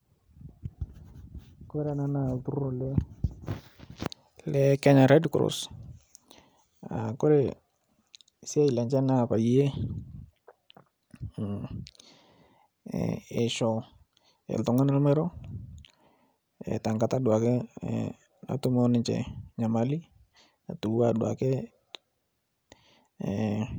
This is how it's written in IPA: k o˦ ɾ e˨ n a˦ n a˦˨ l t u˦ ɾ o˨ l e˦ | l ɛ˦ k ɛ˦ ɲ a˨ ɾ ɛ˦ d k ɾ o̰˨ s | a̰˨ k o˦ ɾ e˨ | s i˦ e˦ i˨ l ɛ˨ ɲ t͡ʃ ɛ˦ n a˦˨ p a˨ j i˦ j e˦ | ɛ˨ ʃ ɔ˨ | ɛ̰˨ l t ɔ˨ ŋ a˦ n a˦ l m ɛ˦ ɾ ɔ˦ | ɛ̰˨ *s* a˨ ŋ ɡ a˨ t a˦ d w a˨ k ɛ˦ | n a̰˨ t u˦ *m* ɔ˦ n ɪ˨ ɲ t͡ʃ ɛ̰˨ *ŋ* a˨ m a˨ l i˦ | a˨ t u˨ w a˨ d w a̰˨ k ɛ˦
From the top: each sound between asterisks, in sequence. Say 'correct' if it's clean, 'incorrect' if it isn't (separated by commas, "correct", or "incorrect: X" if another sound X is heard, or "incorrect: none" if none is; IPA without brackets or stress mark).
incorrect: t, correct, incorrect: ɲ